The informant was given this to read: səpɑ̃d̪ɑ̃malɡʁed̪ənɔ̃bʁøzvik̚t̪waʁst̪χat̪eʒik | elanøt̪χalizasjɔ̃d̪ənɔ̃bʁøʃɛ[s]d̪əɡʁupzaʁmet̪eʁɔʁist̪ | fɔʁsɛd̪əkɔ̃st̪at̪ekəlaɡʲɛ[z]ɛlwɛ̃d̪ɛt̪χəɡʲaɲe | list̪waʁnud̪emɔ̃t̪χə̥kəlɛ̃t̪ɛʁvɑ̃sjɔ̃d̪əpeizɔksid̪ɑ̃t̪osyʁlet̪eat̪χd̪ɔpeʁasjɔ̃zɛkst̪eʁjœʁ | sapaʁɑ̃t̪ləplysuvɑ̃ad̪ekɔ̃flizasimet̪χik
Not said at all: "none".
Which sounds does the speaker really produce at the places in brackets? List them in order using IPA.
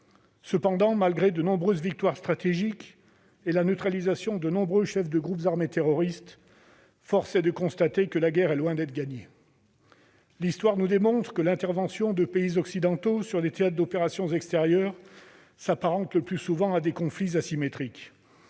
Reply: f, ʁ

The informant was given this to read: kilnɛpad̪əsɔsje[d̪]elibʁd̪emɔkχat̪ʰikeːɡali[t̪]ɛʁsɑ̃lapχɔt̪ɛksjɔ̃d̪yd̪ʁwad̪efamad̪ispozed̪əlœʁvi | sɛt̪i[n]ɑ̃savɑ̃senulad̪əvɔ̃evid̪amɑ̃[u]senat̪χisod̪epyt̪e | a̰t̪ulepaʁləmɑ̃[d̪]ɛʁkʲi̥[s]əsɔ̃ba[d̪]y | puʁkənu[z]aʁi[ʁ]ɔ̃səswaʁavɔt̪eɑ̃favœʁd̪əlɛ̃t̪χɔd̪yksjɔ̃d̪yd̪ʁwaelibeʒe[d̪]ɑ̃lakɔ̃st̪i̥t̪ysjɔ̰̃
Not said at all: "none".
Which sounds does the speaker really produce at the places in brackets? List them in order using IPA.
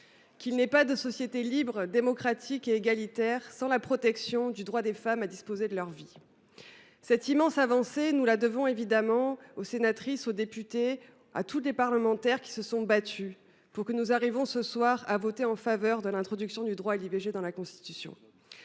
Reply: t̪, t̪, m, o, t̪, s, t̪, z, v, d̪

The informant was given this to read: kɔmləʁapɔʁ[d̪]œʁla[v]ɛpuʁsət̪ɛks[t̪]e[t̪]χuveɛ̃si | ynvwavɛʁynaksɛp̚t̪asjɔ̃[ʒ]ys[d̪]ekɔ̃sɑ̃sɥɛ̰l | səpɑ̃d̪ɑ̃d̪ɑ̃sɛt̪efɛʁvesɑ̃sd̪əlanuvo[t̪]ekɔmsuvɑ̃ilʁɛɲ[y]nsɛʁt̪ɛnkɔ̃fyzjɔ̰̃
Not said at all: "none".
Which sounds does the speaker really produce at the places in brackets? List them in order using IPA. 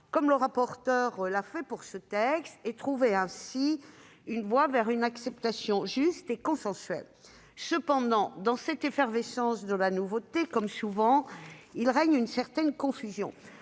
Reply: t̪, f, t̪, t̪, ʒ, t̪, t̪, y

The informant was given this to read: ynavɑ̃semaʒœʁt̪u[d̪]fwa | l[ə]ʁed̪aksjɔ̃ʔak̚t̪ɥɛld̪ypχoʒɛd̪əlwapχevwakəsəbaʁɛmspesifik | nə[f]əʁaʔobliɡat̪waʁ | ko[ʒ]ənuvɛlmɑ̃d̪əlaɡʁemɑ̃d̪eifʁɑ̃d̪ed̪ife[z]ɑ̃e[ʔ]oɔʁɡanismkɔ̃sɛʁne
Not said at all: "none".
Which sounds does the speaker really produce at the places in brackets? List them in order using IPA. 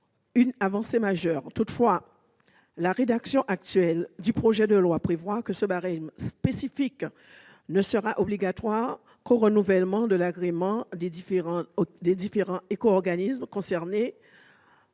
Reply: t̪, a, s, ʁ, ʁ, k

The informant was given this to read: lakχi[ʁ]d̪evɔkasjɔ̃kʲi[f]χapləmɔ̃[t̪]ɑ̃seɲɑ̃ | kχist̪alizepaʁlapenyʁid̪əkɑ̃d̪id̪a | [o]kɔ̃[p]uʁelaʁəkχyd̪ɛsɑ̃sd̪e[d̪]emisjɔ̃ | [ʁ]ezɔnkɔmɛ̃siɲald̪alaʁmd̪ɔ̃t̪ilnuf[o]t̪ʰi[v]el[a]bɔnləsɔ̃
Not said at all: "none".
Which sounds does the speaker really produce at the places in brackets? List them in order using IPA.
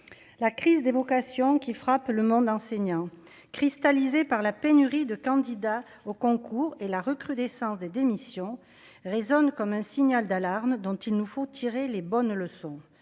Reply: z, f, d̪, o, k, d̪, ʁ, o, ʁ, e

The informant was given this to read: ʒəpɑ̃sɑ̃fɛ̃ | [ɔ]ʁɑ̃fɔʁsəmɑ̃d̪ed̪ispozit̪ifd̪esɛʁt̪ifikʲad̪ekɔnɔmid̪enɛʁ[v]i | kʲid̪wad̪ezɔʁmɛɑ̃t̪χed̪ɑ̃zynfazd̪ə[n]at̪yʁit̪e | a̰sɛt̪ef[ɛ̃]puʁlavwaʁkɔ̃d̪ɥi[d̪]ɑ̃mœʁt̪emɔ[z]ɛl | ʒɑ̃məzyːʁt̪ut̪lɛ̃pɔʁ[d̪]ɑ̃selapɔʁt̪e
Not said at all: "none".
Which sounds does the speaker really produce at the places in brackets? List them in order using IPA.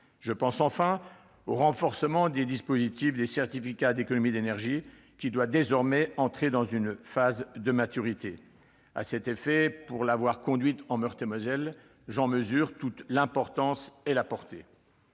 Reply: o, ʒ, m, ɛ, t̪, z, t̪

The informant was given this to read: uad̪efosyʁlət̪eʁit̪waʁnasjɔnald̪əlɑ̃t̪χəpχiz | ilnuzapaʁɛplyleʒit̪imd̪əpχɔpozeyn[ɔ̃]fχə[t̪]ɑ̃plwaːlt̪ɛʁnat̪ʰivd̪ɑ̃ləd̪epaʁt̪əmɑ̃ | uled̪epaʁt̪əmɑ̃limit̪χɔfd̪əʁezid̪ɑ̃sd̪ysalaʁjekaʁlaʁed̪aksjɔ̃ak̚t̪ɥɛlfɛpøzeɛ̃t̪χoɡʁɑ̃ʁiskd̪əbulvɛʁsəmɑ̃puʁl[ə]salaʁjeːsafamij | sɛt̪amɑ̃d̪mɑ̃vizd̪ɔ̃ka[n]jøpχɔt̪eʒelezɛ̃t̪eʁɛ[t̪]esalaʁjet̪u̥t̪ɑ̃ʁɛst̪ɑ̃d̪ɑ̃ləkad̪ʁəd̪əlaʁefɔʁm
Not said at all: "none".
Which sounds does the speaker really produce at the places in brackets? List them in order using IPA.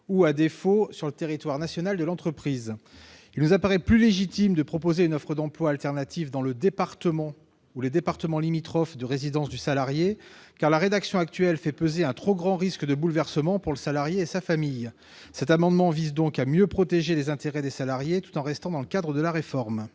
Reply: ɔ, d̪, ə, m, d̪

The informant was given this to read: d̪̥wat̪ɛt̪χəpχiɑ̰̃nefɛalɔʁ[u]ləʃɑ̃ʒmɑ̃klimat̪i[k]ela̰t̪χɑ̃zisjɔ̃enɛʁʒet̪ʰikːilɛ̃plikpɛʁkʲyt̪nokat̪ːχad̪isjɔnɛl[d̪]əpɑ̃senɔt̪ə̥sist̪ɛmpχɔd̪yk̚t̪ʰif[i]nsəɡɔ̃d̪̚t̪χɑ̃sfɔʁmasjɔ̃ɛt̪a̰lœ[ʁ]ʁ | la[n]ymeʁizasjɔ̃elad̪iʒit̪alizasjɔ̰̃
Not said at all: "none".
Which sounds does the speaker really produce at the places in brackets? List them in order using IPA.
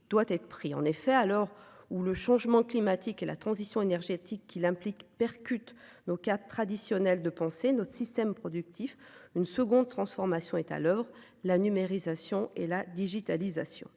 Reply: u, k, d̪, y, v, n

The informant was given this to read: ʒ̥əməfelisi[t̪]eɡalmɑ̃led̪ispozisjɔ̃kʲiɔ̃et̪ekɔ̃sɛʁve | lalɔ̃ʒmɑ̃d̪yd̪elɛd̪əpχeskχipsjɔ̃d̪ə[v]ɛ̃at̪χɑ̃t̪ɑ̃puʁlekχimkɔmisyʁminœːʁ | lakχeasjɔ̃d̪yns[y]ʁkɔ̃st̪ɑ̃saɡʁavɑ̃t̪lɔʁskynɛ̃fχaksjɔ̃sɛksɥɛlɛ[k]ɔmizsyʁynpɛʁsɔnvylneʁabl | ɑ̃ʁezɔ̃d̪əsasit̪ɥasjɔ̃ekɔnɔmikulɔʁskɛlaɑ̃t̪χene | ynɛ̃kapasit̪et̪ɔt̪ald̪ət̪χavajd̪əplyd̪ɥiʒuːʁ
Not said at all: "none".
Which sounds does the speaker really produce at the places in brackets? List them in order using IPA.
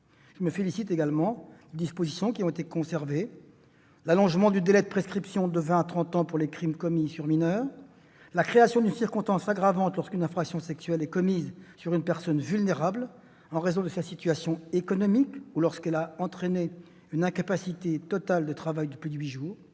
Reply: t̪, v, i, k

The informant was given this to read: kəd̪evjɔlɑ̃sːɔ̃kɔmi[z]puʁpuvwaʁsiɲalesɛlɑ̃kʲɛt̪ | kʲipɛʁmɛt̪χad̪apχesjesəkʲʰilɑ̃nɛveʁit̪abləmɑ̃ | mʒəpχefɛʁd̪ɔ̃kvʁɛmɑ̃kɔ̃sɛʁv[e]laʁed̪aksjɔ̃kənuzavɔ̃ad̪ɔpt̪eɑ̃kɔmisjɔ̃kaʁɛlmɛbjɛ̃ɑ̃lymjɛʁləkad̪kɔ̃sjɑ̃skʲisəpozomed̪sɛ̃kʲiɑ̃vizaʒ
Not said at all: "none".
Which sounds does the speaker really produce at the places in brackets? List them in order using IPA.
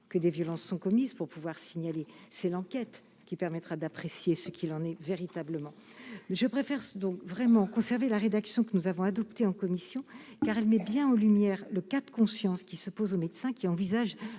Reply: z, e

